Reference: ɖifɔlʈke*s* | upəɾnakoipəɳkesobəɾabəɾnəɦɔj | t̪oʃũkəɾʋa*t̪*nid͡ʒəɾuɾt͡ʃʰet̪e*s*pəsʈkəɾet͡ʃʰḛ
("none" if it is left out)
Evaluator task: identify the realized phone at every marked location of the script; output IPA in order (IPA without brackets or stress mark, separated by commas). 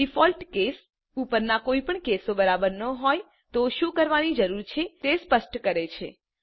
s, none, s